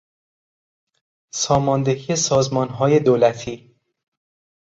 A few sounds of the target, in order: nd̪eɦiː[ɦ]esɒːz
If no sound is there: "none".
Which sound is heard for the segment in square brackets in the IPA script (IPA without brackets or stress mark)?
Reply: none